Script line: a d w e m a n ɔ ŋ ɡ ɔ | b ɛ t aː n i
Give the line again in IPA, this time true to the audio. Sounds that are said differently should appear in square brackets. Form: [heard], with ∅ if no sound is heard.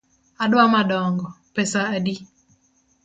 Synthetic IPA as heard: a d w [a] m a [d] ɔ ŋ ɡ ɔ | [p] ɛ [s] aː [d] i